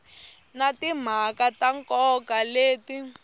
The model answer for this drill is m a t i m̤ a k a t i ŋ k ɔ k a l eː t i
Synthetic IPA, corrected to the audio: n a t i m̤ a k a t a ŋ k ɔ k a l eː t i